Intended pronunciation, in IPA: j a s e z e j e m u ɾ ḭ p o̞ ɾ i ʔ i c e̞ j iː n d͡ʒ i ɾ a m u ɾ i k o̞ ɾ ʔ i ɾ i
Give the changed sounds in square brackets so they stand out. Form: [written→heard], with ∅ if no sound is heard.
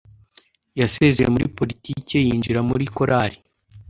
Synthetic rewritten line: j a s e z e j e m u ɾ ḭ p o̞ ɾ i [ʔ→t] i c e̞ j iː n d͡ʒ i ɾ a m u ɾ i k o̞ ɾ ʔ [i→a] ɾ i